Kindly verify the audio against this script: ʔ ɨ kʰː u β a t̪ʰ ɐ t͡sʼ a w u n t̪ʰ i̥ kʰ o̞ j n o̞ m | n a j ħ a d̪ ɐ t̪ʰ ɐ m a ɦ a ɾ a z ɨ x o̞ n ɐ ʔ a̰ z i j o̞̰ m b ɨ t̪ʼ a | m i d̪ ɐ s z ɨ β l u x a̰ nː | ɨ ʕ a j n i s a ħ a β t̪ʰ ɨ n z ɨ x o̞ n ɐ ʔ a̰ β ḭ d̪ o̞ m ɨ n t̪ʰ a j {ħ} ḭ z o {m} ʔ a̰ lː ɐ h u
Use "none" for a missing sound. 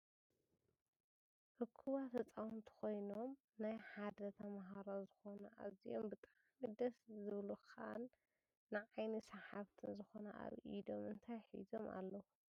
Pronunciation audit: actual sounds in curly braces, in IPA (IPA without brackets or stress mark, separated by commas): ħ, m